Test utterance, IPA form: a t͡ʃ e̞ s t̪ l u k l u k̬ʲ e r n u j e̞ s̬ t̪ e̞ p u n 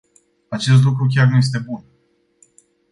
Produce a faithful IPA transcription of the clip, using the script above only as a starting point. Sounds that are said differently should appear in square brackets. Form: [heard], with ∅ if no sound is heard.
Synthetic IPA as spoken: a t͡ʃ e̞ s t̪ l u k [ɾ] u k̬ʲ [a] r n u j e̞ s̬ t̪ e̞ [b] u n